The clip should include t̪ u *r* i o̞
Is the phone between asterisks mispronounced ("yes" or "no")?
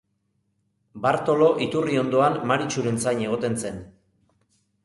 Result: no